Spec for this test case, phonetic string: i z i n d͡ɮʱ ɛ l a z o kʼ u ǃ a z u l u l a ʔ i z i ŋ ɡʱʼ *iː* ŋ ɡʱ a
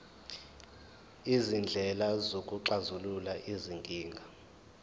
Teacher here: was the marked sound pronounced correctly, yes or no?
yes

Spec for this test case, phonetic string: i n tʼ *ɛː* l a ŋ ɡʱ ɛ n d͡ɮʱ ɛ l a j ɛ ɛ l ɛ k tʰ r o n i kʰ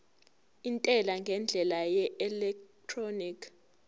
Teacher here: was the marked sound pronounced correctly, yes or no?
no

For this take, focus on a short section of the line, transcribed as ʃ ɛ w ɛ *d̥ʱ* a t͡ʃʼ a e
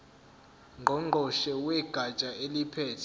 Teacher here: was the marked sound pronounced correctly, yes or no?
no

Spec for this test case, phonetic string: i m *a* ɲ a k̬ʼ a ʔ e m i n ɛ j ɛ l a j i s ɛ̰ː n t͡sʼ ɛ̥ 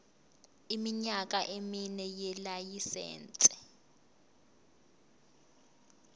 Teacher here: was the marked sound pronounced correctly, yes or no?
no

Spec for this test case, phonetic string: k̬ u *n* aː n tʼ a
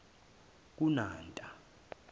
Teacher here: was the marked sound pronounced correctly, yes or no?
yes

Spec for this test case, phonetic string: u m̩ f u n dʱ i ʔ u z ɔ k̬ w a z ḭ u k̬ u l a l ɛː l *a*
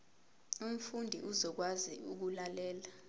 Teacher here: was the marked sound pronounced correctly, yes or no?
yes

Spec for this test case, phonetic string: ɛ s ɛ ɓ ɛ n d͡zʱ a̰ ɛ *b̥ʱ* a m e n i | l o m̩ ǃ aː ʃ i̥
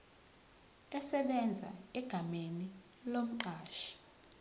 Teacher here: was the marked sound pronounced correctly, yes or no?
no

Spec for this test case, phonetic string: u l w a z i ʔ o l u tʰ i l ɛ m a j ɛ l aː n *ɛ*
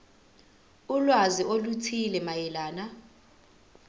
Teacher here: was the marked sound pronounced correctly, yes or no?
no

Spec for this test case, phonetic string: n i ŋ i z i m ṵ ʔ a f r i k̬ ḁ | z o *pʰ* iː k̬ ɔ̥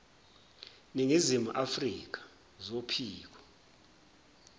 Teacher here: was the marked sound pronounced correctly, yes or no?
yes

